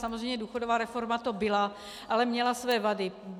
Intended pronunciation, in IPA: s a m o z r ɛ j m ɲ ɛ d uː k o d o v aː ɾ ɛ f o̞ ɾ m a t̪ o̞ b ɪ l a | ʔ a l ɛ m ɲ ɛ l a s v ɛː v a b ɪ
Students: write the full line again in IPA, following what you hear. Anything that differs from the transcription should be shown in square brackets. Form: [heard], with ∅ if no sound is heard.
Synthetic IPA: s a m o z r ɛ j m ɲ ɛ d uː [x] o d o v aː ɾ ɛ f o̞ ɾ m a t̪ o̞ b ɪ l a | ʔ a l ɛ m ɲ ɛ l a s v ɛː v a [d] ɪ